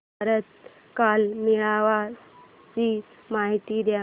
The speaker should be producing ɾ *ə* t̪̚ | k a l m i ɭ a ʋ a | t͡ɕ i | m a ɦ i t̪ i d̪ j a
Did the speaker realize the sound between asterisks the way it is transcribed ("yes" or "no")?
yes